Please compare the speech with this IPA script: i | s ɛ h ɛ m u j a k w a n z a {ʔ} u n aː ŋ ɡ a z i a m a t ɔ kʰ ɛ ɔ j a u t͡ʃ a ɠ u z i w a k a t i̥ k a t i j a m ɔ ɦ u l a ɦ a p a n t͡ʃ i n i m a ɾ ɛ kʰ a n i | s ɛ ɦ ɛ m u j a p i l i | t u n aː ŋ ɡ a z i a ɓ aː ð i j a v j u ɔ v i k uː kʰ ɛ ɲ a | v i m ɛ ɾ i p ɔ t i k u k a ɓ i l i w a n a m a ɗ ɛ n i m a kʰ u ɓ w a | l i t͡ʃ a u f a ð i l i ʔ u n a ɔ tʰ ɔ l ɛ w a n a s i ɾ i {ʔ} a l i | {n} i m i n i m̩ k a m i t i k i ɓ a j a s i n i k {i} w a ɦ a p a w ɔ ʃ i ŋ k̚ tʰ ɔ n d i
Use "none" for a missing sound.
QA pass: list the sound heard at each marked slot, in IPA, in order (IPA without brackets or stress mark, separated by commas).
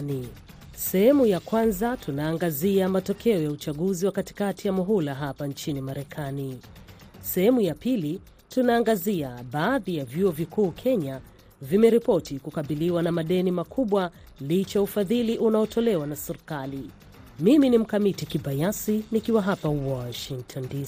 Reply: t, k, m, i